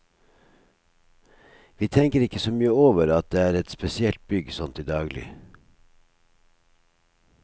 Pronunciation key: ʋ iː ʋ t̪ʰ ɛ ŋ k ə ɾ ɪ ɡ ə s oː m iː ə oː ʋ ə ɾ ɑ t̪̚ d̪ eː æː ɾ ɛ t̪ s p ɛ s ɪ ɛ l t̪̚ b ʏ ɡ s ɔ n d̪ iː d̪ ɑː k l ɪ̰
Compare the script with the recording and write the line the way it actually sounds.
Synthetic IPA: ʋ iː t̪ʰ ɛ ŋ k ə ɾ ɪ k ə s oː m yː ə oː ʋ ə ɾ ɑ t̪̚ d̪ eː æː ɾ ɛ t̪ s p ɛ s ɪ ɛ l t̪̚ b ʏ ɡ s ɔ n t̪ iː d̪ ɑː ɡ l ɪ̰